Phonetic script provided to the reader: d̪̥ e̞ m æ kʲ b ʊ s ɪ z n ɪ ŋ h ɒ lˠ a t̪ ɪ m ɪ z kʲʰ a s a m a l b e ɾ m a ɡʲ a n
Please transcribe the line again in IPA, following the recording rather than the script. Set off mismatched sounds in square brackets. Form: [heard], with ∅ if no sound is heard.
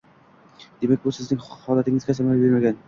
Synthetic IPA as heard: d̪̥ e̞ m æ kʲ b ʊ s ɪ z n ɪ ŋ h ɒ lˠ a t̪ ɪ [ŋ] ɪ z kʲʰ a s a m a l b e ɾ m a ɡʲ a n